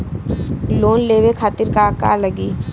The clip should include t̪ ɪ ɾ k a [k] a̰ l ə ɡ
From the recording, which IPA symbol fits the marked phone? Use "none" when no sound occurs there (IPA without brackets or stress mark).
k